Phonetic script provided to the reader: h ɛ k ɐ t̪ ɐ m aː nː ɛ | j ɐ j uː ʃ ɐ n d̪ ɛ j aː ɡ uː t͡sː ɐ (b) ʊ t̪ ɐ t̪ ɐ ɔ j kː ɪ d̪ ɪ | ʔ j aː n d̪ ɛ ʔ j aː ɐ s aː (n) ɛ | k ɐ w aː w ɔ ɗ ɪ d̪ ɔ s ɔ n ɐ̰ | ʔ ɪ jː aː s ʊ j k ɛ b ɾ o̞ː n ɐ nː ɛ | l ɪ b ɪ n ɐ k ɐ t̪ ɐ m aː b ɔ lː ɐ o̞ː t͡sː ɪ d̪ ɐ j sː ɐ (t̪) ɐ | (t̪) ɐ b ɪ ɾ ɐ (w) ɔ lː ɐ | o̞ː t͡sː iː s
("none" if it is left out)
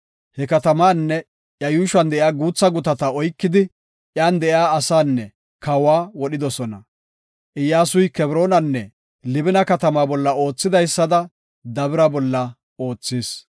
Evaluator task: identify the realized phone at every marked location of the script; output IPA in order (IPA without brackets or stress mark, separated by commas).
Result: ɡ, nː, d̪, d̪, b